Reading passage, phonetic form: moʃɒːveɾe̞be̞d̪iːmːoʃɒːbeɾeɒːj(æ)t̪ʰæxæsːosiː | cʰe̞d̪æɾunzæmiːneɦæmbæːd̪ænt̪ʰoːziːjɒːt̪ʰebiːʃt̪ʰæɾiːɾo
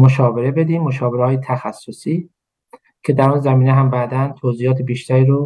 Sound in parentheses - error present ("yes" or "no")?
yes